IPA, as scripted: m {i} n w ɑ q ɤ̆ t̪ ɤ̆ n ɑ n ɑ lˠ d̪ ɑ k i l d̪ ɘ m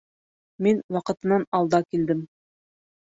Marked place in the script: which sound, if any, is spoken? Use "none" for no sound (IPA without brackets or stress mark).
i